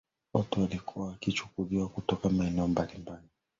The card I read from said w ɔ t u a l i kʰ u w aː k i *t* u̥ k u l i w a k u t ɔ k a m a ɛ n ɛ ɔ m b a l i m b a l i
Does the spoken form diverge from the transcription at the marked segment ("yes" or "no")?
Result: yes